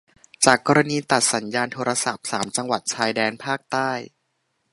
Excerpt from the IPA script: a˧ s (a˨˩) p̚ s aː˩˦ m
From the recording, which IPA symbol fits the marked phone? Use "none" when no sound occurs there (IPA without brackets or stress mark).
a˨˩